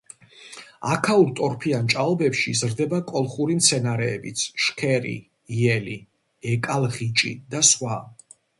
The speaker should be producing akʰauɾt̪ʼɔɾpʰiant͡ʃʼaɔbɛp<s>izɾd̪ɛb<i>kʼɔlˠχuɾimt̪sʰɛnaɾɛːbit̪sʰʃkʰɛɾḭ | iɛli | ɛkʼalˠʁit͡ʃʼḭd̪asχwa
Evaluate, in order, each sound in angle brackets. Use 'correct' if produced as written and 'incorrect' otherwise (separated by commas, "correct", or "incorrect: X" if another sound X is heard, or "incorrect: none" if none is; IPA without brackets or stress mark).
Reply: incorrect: ʃ, incorrect: a